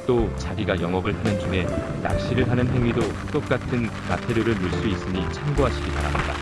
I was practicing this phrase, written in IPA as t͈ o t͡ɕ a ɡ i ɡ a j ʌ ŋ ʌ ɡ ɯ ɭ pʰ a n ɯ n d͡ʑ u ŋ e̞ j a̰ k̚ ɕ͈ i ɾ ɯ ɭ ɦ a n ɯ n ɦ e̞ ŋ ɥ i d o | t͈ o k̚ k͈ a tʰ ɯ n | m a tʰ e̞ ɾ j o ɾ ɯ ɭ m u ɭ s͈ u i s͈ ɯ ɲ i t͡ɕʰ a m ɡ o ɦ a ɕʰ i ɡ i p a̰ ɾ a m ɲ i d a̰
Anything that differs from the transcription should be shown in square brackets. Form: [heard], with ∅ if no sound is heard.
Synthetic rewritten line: t͈ o t͡ɕ a ɡ i ɡ a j ʌ ŋ ʌ ɡ ɯ ɭ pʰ a n ɯ n d͡ʑ u ŋ e̞ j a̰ k̚ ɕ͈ i ɾ ɯ ɭ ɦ a n ɯ n ɦ e̞ ŋ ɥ i d o | t͈ o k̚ k͈ a tʰ ɯ n | m a tʰ e̞ ɾ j o ɾ ɯ ɭ m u ɭ s͈ u i s͈ ɯ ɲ i t͡ɕʰ a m ɡ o ɦ a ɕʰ i ɡ i p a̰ ɾ a m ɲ i d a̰